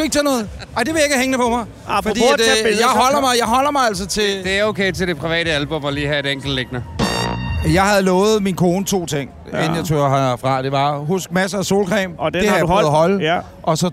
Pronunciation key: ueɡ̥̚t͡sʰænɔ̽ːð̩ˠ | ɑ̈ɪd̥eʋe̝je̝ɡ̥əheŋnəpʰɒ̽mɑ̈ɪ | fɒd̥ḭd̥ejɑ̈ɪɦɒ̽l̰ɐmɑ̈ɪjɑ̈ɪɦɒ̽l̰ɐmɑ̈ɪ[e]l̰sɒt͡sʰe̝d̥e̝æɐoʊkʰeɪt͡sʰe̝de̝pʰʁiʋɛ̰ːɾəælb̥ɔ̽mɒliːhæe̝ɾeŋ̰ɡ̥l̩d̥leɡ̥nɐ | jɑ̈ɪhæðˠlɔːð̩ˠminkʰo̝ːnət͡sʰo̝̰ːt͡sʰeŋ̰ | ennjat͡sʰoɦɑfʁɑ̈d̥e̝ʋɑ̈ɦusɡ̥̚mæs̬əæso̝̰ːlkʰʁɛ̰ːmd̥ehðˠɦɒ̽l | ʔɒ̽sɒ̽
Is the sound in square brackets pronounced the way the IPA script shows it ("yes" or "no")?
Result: no